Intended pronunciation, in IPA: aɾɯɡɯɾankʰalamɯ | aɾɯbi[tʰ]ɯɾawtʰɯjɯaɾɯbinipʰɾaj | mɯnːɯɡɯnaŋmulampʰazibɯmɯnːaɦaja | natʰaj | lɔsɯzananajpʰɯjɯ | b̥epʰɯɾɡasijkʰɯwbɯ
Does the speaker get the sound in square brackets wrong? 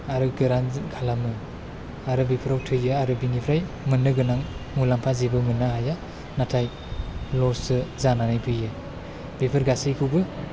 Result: yes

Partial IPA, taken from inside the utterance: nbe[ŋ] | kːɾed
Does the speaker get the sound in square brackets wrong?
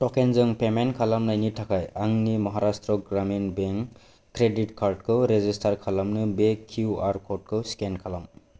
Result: no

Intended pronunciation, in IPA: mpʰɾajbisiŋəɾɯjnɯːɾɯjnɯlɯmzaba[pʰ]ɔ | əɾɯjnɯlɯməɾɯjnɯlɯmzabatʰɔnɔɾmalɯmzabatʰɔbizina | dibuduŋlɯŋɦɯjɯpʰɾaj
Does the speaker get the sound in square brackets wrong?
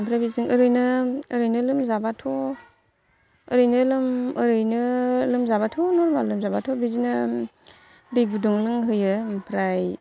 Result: yes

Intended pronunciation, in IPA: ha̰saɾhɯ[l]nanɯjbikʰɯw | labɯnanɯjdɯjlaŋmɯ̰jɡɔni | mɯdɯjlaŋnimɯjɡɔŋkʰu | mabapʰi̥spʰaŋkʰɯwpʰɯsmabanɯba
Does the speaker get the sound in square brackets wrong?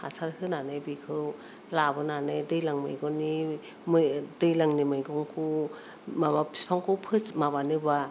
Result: yes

